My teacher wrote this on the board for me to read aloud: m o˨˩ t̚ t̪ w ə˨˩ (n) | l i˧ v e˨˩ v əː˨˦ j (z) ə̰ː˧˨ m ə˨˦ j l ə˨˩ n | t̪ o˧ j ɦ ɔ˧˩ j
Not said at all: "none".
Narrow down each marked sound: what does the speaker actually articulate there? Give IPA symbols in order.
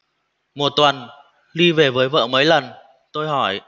n, v

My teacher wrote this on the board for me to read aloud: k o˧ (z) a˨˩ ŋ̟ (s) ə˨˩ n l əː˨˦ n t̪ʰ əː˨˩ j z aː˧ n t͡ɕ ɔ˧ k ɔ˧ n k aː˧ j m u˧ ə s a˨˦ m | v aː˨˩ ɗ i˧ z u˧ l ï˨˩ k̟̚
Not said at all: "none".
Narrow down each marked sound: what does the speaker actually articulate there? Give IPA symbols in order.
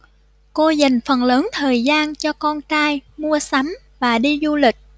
z, f

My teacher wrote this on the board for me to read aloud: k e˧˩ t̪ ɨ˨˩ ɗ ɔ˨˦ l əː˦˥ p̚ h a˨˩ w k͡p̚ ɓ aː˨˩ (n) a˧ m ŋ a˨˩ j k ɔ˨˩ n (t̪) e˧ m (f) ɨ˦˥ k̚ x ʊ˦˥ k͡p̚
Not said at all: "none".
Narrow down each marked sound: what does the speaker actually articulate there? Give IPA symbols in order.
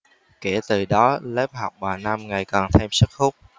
n, t̪ʰ, s

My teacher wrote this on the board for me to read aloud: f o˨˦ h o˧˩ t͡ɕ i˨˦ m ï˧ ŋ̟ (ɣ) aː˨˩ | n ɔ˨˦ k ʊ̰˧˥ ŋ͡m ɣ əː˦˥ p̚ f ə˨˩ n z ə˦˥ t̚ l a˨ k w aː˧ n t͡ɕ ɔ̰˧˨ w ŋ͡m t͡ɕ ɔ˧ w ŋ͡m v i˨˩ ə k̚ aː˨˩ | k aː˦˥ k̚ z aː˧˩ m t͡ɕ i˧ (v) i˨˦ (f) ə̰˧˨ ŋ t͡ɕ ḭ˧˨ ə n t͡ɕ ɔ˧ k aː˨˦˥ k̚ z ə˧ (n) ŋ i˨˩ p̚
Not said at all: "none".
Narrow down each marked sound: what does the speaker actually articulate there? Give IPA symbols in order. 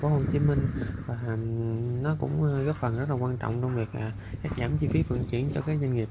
v, f, f, n

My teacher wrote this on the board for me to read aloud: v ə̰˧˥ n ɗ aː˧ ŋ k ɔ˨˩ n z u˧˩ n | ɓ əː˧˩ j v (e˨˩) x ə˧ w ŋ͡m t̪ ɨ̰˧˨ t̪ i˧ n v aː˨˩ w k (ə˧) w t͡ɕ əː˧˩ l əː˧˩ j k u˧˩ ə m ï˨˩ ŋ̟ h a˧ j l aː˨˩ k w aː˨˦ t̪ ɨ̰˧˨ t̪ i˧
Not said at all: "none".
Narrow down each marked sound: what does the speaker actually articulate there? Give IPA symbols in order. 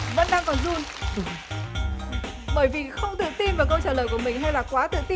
i˨˩, ə˧

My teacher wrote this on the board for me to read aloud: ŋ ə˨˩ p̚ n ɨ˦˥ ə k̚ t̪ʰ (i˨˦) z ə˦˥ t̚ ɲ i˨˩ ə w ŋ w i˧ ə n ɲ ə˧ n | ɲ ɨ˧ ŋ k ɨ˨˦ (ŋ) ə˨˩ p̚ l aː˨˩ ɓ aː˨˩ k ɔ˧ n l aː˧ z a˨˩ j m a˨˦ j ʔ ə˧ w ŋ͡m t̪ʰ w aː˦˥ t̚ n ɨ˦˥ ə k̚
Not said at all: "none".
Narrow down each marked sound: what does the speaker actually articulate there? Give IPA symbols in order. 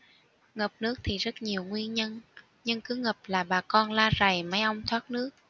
i˨˩, ŋ

